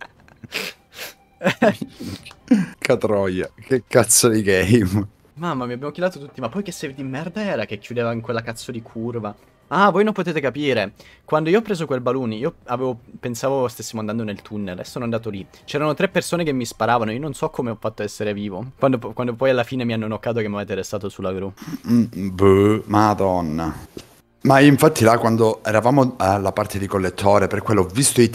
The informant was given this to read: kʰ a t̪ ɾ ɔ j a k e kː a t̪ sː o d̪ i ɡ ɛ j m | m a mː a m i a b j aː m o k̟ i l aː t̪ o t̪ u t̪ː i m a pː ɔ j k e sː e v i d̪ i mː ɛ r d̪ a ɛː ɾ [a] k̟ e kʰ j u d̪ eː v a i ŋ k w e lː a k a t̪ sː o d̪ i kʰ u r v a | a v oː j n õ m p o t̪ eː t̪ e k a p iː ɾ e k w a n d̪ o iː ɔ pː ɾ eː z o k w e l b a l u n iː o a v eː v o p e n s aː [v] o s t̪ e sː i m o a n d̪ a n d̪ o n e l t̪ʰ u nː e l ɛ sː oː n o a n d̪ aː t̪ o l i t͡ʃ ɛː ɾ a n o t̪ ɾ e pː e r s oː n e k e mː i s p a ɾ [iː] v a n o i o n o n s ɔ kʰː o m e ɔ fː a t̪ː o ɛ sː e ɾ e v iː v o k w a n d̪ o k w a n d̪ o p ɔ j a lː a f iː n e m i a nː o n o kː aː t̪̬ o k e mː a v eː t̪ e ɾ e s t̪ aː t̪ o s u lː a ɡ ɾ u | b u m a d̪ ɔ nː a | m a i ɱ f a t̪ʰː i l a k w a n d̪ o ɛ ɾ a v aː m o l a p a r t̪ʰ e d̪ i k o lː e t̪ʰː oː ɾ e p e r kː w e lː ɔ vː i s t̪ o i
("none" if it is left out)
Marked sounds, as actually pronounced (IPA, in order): a, v, aː

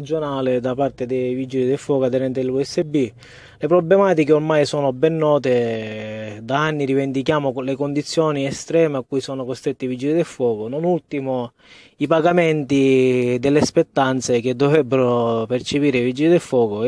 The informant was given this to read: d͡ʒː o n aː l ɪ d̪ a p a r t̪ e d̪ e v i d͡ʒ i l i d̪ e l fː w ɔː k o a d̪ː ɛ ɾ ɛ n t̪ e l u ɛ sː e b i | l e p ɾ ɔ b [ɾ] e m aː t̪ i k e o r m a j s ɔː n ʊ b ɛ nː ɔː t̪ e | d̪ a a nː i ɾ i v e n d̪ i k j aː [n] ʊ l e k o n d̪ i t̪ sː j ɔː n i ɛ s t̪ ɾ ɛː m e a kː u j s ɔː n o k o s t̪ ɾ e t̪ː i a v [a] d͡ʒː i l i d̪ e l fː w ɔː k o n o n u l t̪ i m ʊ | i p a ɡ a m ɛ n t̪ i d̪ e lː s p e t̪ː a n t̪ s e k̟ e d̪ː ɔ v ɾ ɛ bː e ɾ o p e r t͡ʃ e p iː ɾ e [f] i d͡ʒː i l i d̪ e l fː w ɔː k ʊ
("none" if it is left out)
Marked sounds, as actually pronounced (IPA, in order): l, m, i, v

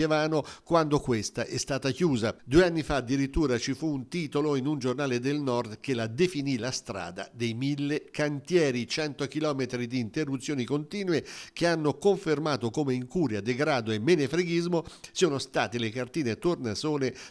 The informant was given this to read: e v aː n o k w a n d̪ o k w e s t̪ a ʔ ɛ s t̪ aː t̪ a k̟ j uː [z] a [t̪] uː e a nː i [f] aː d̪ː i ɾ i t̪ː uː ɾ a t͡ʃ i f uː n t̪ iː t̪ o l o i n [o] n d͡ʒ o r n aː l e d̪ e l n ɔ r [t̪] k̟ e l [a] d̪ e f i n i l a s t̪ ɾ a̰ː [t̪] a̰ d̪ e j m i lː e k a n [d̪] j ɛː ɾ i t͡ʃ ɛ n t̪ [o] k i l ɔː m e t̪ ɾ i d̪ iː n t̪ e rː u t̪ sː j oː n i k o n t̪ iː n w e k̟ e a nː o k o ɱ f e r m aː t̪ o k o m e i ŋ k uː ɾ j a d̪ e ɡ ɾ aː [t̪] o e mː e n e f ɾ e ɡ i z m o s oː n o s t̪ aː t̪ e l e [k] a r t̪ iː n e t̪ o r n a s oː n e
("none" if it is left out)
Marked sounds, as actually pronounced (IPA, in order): z, d̪, f, u, d̪, a, d̪, t̪, o, d̪, k

